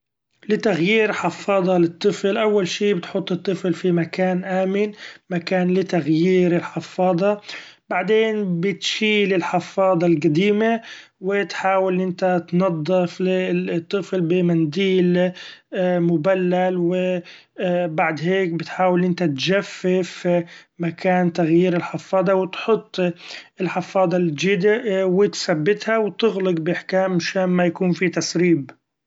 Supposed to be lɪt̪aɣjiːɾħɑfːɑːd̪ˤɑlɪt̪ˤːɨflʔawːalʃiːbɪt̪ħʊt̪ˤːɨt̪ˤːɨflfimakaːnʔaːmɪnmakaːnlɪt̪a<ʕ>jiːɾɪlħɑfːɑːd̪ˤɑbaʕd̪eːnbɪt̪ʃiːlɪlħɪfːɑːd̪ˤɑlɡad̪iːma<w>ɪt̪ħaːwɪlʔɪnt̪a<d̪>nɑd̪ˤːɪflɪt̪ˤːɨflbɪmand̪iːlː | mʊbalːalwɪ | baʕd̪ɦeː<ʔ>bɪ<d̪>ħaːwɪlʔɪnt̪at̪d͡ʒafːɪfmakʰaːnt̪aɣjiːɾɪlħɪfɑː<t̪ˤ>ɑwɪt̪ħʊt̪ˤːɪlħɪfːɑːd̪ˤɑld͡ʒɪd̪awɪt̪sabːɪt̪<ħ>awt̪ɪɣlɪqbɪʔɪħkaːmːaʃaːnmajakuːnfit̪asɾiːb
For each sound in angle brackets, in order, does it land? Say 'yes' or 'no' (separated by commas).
no, yes, no, no, no, no, no